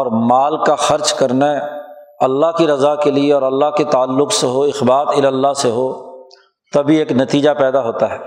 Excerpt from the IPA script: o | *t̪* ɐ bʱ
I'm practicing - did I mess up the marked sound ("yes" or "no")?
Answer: no